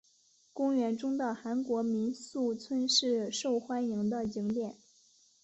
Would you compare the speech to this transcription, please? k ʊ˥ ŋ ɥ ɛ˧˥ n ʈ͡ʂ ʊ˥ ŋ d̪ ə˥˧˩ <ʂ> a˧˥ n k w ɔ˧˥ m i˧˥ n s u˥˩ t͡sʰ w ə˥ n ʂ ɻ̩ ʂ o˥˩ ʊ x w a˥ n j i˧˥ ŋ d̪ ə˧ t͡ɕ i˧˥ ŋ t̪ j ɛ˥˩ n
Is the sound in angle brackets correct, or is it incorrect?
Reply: incorrect